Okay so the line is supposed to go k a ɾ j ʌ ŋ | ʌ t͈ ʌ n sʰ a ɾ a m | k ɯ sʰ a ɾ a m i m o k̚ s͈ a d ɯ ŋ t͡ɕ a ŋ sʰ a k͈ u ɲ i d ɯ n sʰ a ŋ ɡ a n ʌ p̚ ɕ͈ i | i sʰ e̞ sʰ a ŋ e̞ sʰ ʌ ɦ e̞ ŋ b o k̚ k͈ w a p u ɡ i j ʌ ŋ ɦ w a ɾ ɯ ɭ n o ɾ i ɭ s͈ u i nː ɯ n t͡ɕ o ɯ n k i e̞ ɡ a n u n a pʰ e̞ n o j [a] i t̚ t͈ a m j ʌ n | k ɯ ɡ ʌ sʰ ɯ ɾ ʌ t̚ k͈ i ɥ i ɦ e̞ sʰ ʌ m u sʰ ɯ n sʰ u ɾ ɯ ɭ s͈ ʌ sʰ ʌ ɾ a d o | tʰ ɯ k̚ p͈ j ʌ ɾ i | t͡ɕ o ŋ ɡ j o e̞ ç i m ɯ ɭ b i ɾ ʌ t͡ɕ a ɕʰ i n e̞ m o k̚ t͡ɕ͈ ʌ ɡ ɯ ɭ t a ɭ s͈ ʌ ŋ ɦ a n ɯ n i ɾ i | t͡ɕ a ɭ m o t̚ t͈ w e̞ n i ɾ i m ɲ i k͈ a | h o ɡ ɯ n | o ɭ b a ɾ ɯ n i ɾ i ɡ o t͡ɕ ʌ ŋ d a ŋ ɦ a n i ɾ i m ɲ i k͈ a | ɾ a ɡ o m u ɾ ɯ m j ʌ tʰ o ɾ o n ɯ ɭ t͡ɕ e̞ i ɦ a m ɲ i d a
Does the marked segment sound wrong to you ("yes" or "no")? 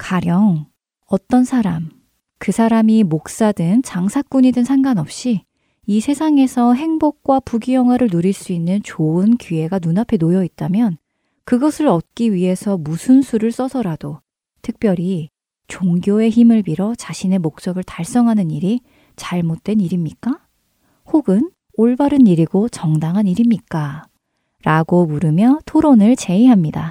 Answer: yes